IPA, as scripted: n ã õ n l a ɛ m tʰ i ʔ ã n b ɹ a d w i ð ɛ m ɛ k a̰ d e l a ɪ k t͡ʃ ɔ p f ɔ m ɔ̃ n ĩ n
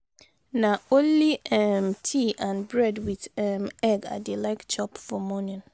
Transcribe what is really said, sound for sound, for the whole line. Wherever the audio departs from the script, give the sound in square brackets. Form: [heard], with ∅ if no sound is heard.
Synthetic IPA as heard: n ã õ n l [i] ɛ m tʰ i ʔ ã n b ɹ [ɛ] d w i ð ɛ m ɛ [ɡ] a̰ d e l a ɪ k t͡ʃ ɔ p f ɔ m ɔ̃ n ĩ n

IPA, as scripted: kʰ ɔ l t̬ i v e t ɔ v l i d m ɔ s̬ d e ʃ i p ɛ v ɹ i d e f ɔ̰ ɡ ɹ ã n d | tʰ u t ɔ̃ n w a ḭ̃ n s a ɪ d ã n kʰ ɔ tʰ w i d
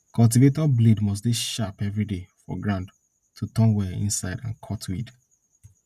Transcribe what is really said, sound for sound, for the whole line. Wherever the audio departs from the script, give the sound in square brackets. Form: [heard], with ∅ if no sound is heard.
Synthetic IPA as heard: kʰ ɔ l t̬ i v e t ɔ [b] l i d m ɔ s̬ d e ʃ [a] p ɛ v ɹ i d e f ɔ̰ ɡ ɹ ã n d | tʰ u t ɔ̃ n w [ɛ] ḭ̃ n s a ɪ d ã n kʰ ɔ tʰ w i d

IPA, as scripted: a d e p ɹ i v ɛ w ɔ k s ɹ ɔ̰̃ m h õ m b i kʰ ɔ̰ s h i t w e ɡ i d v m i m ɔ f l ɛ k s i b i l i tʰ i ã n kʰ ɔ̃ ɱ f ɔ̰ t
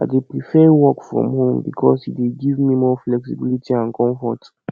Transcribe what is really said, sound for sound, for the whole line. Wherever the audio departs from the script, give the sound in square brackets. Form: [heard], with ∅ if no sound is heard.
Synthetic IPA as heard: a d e p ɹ i [f] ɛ w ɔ k [f] ɹ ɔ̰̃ m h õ m b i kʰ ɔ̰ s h i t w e ɡ i [∅] v m i m ɔ f l ɛ k s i b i l i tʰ i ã n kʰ ɔ̃ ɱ f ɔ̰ t

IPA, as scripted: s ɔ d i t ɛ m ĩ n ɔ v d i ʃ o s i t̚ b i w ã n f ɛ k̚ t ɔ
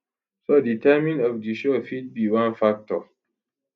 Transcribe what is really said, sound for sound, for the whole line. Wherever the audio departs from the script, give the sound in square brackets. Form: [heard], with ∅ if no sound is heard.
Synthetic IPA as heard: s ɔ d i t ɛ m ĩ n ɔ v d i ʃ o [f] i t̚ b i w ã n f [a] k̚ t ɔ

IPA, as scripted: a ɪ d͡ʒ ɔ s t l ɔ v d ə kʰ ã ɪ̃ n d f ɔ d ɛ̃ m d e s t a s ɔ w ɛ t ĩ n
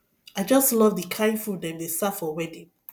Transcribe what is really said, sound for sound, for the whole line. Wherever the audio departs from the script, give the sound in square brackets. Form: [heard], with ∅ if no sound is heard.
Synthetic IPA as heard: a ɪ d͡ʒ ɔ s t l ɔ v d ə kʰ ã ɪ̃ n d f [u] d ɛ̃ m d e s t a [f] ɔ w ɛ [d] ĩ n

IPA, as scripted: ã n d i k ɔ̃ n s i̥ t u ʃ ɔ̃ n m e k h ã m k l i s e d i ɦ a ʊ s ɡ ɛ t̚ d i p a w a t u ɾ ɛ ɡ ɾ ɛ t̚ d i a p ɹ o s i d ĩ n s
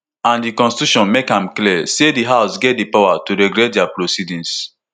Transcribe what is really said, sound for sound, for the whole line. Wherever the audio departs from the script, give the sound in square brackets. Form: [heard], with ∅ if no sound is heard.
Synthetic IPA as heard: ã n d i k ɔ̃ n s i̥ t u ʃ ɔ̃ n m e k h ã m k l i s e d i ɦ a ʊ s ɡ ɛ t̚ d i p a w a t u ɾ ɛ ɡ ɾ ɛ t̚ d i a p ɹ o s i d ĩ n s

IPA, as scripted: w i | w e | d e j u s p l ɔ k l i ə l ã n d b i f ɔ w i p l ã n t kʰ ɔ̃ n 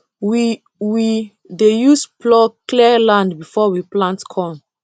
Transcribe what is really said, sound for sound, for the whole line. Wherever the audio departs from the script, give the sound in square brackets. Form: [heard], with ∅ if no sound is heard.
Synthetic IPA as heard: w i | w [i] | d e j u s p l ɔ k l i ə l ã n d b i f ɔ w i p l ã n t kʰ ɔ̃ n

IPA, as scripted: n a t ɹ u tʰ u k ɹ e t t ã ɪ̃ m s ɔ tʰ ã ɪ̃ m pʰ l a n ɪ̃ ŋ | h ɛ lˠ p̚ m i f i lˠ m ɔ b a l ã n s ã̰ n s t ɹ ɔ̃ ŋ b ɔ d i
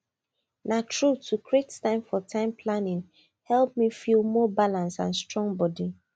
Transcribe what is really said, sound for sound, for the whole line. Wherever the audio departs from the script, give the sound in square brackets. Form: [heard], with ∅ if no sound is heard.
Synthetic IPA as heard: n a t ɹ u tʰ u k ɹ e t t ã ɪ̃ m [f] ɔ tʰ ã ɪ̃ m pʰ l a n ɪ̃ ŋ | h ɛ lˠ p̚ m i f i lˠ m ɔ b a l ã n s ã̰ n s t ɹ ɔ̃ ŋ b ɔ d i

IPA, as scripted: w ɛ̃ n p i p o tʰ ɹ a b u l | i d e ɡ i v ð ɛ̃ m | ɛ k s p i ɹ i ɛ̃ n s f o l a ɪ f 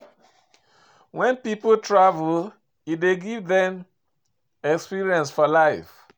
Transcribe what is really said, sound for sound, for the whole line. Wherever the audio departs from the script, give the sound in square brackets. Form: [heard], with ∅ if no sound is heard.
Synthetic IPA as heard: w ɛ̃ n p i p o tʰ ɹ a [v] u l | i d e ɡ i v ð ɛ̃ m | ɛ k s p i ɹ i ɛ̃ n s f [ɔ] l a ɪ f

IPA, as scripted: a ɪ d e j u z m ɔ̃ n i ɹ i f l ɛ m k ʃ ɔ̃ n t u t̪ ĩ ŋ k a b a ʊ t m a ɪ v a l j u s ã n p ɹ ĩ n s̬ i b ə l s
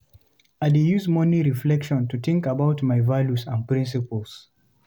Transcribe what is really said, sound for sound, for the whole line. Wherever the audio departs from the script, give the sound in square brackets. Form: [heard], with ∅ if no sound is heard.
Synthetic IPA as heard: a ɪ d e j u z m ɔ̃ n i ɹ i f l ɛ [∅] k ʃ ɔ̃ n t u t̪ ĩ ŋ k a b a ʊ t m a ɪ v a l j u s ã n p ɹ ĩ n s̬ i [p] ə l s

